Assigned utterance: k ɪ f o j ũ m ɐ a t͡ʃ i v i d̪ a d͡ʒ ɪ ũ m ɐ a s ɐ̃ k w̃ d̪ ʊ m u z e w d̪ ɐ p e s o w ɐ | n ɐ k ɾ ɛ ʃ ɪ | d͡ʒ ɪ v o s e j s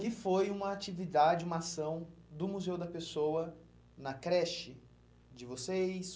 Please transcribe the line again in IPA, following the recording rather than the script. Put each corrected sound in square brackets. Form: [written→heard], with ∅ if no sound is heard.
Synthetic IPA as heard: k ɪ f o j ũ m ɐ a t͡ʃ i v i d̪ a d͡ʒ ɪ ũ m ɐ a s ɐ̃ [k→∅] w̃ d̪ ʊ m u z e w d̪ ɐ p e s o w ɐ | n ɐ k ɾ ɛ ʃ ɪ | d͡ʒ ɪ v o s e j s